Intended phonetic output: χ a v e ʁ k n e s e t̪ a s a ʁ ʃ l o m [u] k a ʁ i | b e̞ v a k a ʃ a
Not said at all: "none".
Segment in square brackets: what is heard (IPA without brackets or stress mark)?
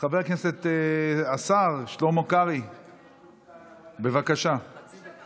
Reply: o